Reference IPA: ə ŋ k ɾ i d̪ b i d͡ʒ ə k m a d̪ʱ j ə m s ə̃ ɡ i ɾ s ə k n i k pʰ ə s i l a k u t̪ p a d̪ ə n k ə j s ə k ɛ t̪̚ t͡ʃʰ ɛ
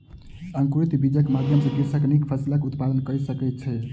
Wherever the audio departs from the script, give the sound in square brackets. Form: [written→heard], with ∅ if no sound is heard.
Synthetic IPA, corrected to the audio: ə ŋ k ɾ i [d̪→t̪] b i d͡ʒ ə k m a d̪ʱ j ə m s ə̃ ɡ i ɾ s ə k n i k pʰ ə s i l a k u t̪ p a d̪ ə n k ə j s ə k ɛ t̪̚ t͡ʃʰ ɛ